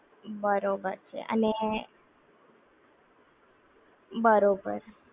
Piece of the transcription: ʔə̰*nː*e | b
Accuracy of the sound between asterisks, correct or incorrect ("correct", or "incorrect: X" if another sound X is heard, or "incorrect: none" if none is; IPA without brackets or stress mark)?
incorrect: n